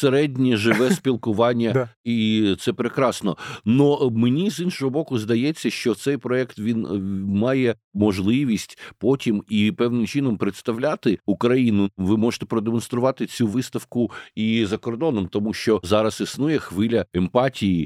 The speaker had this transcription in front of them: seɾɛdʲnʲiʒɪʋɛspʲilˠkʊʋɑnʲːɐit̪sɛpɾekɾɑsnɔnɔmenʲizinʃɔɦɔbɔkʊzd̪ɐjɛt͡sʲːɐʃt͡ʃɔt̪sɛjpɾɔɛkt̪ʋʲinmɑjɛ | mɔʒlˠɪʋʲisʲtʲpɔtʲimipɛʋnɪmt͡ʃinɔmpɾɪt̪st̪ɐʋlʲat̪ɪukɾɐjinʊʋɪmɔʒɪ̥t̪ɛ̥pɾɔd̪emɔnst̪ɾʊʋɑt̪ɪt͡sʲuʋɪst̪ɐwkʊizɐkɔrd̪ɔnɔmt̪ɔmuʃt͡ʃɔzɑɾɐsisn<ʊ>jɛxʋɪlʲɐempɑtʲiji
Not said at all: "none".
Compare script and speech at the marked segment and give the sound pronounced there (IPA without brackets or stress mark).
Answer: u